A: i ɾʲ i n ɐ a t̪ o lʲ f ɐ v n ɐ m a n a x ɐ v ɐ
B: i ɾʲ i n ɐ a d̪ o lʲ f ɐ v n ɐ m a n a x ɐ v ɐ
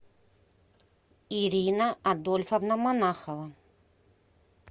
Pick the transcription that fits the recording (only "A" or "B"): B